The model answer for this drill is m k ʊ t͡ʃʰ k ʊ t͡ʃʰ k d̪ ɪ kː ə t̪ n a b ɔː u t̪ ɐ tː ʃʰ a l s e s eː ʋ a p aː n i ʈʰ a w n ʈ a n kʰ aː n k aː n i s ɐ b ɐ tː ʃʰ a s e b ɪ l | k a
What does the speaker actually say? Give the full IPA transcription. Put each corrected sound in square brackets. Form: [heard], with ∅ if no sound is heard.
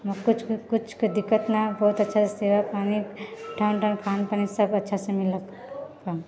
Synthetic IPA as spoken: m k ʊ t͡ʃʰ k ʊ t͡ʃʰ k d̪ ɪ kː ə t̪ n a b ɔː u t̪ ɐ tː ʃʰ a [∅] s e s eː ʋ a p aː n i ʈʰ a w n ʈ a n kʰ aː n [p] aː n i s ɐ b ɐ tː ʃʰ a s e [m] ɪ l | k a